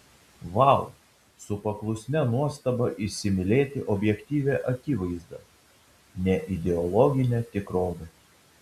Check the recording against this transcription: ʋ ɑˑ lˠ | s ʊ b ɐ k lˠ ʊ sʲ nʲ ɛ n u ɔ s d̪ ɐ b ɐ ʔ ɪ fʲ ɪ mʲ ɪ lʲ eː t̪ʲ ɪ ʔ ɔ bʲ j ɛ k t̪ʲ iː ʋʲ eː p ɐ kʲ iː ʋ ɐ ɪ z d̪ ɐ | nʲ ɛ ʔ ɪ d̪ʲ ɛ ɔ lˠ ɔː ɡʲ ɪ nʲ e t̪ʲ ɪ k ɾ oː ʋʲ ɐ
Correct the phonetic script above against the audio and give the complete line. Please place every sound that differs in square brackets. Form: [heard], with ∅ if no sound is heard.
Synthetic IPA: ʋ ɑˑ lˠ | s ʊ [p] ɐ k lˠ ʊ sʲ nʲ ɛ n u ɔ s [t̪] ɐ b ɐ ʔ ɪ [sʲ] ɪ mʲ ɪ lʲ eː t̪ʲ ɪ ʔ ɔ bʲ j ɛ k t̪ʲ iː ʋʲ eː [ʔ] ɐ kʲ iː ʋ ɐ ɪ z d̪ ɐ | nʲ ɛ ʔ ɪ d̪ʲ ɛ ɔ lˠ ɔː ɡʲ ɪ nʲ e t̪ʲ ɪ k ɾ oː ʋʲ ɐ